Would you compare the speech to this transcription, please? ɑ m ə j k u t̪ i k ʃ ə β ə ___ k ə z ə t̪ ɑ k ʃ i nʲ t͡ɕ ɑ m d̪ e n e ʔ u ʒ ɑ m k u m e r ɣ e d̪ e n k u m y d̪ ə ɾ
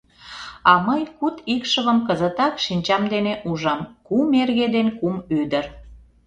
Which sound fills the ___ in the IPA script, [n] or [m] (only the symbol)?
m